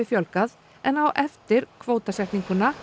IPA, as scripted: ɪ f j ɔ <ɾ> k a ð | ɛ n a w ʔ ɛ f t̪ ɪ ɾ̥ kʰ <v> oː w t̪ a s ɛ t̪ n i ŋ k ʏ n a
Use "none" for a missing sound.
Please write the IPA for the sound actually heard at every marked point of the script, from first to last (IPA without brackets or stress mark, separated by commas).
l, v